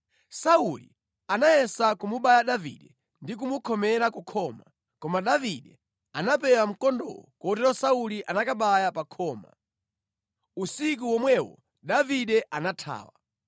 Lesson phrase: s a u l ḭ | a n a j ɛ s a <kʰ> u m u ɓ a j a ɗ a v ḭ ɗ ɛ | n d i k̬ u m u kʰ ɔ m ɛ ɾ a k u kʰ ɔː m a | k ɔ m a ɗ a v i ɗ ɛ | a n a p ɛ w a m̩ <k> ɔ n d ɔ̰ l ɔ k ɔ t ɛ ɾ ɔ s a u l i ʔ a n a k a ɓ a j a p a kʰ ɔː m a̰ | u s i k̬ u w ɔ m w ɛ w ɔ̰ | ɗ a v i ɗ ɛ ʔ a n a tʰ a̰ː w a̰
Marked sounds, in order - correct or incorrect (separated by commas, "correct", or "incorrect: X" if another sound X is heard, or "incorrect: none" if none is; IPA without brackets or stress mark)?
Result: incorrect: k, correct